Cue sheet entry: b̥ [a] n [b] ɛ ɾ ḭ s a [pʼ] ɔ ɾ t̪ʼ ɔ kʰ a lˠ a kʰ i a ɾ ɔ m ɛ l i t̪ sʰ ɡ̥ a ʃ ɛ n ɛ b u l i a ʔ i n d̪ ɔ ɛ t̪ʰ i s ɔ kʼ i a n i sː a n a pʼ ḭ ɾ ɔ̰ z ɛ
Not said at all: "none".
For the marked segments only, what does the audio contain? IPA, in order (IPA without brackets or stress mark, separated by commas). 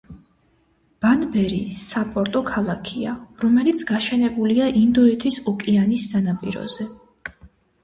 a, b, pʼ